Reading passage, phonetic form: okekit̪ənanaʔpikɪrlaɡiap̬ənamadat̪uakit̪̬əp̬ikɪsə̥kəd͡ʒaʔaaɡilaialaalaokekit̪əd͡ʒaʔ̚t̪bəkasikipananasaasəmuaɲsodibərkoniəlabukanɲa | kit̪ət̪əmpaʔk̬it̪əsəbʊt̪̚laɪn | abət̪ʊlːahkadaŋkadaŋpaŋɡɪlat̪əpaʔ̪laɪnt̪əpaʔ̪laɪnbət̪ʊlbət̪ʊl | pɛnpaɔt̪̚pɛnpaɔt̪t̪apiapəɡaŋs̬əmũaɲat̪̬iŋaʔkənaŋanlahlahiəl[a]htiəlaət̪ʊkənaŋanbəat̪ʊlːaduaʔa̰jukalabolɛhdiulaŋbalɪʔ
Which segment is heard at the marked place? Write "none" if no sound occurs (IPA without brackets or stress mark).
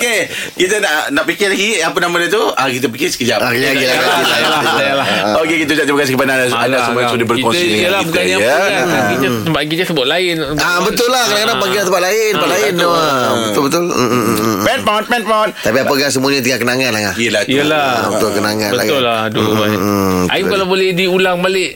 a